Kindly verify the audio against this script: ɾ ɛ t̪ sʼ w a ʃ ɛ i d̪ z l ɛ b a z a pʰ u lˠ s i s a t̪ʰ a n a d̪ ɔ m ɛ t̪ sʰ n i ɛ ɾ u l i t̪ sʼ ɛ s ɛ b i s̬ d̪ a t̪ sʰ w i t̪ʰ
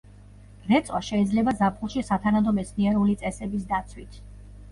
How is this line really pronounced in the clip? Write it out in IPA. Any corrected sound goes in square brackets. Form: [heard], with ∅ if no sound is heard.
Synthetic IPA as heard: ɾ ɛ t̪ sʼ w a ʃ ɛ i d̪ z l ɛ b a z a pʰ u lˠ [ʃ] i s a t̪ʰ a n a d̪ ɔ m ɛ t̪ sʰ n i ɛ ɾ u l i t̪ sʼ ɛ s ɛ b i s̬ d̪ a t̪ sʰ w i t̪ʰ